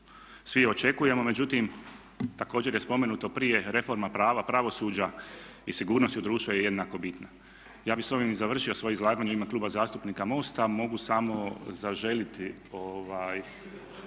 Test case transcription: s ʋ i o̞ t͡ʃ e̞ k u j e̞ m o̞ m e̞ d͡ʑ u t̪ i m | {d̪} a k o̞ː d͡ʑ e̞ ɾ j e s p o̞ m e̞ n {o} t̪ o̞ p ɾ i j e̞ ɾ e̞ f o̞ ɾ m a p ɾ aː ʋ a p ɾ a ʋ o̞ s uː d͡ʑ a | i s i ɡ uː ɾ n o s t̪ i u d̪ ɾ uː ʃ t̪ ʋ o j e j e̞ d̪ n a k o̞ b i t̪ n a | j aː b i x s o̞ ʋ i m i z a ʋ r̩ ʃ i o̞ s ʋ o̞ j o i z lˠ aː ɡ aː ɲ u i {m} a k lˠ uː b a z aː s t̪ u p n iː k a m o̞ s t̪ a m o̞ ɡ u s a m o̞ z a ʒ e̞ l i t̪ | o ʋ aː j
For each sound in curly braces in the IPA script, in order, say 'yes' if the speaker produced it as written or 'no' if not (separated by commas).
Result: no, no, yes